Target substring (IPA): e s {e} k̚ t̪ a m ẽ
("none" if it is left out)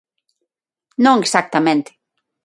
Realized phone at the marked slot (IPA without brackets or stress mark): a